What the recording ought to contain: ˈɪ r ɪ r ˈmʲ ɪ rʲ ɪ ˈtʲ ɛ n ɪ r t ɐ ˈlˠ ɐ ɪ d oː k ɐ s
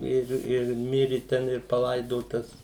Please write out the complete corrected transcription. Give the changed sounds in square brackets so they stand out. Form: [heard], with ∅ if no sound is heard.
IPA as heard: ˈɪ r ɪ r ˈmʲ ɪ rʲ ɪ ˈtʲ ɛ n ɪ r [p] ɐ ˈlˠ ɐ ɪ d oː [t] ɐ s